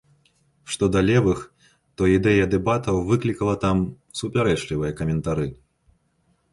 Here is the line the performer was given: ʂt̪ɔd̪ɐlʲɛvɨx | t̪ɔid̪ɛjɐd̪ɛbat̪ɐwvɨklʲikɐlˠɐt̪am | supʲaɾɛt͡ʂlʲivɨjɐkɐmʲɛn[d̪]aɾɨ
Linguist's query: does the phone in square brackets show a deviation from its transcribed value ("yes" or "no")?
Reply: yes